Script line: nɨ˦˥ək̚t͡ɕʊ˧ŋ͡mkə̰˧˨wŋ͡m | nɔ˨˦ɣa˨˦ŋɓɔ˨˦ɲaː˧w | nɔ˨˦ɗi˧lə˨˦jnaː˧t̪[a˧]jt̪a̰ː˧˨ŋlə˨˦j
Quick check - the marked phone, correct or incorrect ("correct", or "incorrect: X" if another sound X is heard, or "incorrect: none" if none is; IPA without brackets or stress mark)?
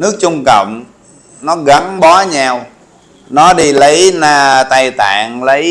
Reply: correct